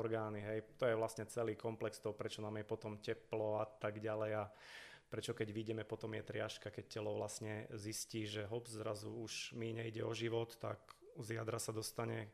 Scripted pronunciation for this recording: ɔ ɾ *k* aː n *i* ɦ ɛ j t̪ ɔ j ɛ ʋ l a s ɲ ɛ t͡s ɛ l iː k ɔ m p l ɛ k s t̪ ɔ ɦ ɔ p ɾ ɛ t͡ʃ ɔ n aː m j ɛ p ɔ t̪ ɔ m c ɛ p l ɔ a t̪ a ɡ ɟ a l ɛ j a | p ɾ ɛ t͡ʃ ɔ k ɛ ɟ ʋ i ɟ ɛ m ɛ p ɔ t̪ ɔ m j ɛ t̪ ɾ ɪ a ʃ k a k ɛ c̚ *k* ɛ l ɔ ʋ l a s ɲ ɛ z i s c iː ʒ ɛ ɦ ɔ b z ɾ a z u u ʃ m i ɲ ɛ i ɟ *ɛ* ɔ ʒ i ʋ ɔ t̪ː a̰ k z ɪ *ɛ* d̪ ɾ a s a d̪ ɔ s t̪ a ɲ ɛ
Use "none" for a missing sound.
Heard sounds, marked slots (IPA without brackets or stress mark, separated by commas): ɡ, i, c, ɛ, a